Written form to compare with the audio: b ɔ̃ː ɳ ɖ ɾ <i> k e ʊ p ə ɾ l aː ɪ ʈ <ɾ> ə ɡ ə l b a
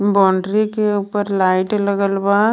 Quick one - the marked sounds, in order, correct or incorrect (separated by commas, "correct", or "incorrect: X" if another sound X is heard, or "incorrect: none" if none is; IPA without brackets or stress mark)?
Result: correct, incorrect: l